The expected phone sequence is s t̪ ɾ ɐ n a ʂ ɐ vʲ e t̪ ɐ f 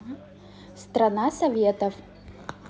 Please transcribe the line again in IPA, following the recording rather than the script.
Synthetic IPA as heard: s t̪ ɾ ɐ n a s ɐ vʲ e t̪ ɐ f